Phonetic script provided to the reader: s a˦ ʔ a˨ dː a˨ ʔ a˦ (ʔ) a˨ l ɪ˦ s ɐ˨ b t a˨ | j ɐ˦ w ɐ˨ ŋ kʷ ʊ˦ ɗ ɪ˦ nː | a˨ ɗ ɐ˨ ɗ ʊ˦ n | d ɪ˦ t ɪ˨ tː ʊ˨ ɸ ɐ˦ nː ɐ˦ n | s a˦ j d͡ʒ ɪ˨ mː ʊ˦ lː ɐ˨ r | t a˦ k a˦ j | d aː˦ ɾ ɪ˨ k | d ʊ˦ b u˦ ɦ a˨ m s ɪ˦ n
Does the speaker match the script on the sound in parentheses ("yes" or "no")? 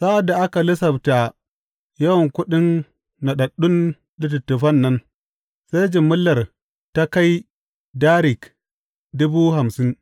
no